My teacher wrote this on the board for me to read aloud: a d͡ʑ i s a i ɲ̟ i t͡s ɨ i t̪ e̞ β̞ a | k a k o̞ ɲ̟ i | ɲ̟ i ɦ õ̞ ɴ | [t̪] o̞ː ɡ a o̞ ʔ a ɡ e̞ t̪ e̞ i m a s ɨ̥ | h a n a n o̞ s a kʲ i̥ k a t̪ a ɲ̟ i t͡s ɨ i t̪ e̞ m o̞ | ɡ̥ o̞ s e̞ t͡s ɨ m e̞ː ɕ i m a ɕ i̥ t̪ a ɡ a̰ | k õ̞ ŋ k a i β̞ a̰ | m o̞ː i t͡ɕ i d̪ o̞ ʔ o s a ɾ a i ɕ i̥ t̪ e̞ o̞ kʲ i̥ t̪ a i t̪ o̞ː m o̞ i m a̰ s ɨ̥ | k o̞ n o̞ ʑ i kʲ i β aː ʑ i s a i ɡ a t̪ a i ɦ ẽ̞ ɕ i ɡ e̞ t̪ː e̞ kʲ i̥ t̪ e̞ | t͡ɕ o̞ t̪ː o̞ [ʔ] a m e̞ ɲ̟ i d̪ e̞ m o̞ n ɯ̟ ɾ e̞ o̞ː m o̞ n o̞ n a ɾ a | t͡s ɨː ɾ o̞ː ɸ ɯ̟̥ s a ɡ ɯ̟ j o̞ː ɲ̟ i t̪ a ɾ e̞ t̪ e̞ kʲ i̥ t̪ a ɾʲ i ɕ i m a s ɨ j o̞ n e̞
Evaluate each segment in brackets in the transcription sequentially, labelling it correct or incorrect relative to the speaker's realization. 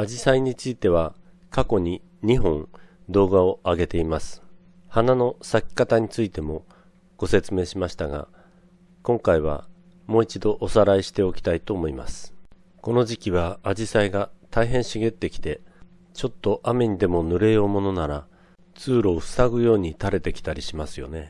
incorrect: d̪, correct

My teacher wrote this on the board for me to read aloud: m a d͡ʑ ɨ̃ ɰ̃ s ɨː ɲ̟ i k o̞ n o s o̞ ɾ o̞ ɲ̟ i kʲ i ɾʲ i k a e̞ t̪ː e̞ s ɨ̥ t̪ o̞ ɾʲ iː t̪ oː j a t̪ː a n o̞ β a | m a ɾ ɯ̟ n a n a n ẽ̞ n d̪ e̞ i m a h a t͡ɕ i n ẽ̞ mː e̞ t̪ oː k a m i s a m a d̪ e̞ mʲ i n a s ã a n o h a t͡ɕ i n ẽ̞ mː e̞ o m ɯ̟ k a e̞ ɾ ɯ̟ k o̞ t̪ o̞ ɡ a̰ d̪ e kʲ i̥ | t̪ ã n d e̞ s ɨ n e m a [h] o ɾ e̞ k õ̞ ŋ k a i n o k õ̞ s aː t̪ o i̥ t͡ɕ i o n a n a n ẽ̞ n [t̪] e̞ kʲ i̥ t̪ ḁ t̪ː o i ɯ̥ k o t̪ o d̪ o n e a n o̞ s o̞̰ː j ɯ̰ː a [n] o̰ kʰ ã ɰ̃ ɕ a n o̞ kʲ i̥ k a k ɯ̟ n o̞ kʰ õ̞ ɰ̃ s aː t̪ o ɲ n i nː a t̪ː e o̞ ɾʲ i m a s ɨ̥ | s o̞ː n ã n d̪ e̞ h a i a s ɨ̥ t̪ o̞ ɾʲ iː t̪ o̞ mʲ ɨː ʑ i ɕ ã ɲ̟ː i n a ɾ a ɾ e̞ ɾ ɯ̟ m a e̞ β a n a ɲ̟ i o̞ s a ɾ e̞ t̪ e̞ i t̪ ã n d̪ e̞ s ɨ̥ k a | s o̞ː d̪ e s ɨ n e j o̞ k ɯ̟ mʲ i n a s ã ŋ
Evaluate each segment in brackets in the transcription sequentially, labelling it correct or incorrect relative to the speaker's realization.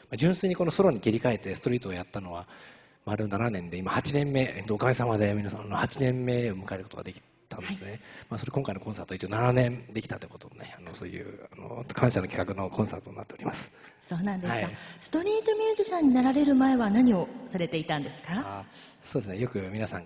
incorrect: s, incorrect: d̪, correct

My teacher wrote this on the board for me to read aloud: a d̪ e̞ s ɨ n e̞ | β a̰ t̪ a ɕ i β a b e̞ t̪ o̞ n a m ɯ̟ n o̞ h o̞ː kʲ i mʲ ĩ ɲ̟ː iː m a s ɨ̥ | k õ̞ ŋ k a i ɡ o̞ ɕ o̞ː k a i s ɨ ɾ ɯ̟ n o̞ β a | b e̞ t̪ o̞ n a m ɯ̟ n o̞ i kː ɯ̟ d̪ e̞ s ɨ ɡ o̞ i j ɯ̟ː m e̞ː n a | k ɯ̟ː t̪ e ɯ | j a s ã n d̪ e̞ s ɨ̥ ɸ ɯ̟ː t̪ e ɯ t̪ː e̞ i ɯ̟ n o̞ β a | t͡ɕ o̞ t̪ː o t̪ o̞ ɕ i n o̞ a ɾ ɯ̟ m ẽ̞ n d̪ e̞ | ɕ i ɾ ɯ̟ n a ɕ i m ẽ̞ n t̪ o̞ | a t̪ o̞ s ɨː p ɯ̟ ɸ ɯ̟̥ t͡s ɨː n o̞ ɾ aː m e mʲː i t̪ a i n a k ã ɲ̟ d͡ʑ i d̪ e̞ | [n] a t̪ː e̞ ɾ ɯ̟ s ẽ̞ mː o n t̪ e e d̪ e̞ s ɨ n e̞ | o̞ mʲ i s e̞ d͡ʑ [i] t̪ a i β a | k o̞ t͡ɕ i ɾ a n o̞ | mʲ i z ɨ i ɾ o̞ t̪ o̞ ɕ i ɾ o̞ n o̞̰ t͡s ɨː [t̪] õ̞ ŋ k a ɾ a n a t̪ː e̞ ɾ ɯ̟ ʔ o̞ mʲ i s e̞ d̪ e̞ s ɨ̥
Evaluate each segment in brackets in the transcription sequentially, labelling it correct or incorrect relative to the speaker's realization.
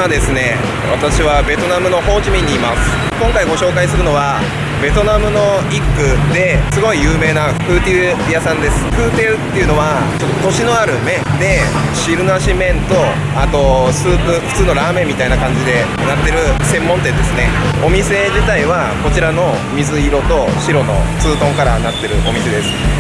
correct, correct, correct

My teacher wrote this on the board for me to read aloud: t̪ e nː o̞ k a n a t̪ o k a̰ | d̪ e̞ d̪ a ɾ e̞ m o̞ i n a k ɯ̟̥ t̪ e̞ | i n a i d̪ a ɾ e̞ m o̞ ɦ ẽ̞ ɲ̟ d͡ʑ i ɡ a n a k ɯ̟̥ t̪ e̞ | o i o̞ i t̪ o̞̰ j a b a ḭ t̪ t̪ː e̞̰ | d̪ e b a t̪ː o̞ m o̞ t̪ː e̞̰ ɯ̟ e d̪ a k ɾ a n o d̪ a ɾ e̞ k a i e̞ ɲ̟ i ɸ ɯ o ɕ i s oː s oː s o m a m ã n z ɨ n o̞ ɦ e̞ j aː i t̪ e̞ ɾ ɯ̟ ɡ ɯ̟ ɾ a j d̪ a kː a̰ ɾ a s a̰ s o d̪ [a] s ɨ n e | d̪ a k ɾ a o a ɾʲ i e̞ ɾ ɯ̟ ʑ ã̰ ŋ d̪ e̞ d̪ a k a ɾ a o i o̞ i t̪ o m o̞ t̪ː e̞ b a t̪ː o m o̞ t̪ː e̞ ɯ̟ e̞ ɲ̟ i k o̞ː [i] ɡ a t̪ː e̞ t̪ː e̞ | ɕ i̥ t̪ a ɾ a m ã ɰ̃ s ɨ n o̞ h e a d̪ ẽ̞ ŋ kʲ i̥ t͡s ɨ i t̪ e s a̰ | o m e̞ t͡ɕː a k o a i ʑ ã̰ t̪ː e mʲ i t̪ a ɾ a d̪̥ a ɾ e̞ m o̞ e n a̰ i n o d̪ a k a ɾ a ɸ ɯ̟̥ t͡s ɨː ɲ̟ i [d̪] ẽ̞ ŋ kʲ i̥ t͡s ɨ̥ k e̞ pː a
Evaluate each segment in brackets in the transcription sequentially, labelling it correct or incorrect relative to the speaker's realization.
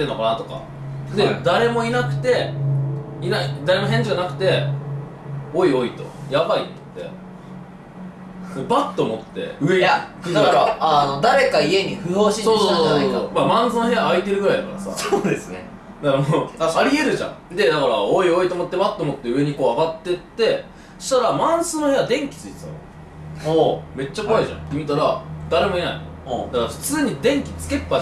incorrect: e, incorrect: a, correct

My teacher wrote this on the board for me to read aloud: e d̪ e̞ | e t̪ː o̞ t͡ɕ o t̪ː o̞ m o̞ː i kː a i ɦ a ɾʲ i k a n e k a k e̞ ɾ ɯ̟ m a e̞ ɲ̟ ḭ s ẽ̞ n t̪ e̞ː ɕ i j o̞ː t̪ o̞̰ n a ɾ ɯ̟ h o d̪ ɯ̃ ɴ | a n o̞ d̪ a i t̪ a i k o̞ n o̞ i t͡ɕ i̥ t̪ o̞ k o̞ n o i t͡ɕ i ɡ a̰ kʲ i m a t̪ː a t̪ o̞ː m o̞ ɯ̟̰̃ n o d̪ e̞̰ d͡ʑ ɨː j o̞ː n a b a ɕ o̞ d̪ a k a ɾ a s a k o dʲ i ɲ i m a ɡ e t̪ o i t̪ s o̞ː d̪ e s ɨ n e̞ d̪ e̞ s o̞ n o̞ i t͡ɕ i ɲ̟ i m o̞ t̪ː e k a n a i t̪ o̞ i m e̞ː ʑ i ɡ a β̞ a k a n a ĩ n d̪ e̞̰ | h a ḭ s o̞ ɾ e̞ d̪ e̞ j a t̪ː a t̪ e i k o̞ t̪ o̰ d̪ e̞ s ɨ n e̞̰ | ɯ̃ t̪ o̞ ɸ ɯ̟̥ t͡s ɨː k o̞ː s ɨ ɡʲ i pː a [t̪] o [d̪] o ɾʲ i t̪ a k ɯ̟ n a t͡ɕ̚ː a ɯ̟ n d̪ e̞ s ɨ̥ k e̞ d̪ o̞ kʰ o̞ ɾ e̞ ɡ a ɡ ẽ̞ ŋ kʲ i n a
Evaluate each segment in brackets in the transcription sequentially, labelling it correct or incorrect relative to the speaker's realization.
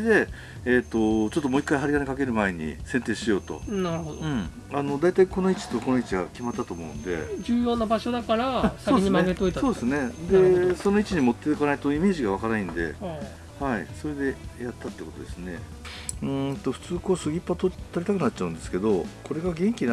correct, incorrect: t̪

